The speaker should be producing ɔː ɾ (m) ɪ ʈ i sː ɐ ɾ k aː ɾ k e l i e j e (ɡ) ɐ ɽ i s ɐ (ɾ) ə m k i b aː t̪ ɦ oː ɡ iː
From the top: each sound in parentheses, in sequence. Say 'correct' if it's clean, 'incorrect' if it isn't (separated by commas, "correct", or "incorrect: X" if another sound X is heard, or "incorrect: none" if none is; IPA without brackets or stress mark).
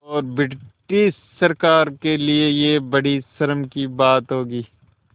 incorrect: b, incorrect: b, correct